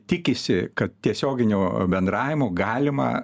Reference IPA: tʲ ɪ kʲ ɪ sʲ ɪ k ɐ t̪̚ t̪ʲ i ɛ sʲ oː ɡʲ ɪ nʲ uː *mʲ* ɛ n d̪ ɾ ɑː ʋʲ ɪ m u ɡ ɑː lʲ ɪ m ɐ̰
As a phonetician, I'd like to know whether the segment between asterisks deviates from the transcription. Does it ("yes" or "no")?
yes